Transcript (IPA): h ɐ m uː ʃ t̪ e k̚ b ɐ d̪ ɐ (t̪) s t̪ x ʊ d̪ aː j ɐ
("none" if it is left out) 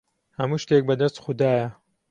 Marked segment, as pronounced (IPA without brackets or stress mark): none